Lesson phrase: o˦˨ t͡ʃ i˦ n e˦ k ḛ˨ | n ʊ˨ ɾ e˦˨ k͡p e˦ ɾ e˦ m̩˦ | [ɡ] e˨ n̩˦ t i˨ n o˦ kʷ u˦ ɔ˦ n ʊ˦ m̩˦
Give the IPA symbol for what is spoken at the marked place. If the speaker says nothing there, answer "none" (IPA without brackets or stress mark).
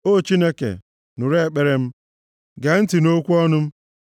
ɡ